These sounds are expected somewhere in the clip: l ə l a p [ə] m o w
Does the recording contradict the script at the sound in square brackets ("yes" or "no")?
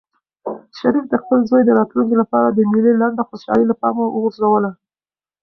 yes